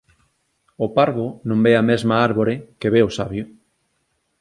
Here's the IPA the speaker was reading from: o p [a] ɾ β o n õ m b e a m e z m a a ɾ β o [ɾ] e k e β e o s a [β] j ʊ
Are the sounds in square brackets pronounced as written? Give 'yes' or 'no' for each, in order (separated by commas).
yes, yes, yes